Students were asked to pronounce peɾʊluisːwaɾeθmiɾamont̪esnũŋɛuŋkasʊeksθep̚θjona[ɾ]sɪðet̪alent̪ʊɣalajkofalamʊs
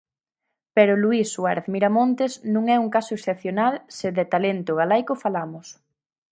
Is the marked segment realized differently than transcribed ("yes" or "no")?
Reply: yes